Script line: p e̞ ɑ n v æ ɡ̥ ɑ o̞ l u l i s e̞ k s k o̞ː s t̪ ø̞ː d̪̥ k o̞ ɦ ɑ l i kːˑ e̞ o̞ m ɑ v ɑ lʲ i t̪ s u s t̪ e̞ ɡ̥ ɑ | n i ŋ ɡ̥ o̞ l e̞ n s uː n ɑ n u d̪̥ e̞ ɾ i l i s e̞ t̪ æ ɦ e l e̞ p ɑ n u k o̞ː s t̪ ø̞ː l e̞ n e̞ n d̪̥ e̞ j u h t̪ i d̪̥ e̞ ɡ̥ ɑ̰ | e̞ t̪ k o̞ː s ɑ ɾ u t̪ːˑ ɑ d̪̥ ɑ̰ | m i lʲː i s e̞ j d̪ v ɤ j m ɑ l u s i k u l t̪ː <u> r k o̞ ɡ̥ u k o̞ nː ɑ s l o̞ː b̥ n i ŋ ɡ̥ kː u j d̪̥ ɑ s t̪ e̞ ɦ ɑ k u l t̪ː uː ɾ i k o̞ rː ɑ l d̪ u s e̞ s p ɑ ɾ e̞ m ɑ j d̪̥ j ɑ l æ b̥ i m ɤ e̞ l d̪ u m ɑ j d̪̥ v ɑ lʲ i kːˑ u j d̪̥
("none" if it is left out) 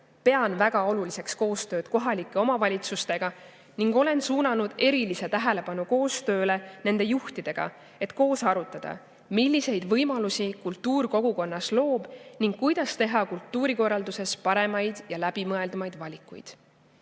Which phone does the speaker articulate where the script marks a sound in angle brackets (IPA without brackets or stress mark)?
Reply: uː